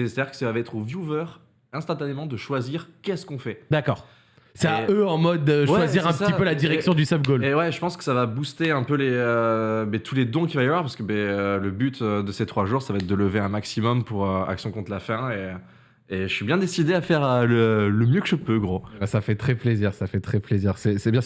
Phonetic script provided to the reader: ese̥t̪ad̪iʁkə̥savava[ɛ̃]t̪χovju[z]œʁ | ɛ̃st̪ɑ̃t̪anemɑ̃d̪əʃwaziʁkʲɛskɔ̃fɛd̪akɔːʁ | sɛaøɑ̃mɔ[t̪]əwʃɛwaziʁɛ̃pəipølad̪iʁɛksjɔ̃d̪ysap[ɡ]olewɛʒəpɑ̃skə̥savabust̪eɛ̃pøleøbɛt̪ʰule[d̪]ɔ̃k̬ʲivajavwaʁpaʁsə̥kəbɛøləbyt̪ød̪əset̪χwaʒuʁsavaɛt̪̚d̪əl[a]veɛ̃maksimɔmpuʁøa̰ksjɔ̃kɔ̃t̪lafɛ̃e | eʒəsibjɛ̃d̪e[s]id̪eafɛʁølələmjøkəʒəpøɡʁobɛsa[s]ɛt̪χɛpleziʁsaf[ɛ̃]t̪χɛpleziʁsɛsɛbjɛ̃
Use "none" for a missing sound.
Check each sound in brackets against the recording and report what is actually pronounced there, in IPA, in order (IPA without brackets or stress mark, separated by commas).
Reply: ɛ, v, d̪, ɡ, d̪, ə, s, f, ɛ